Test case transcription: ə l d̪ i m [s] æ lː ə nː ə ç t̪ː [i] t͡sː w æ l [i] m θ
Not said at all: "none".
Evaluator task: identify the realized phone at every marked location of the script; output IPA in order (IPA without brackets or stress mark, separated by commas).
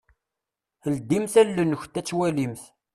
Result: θ, æ, i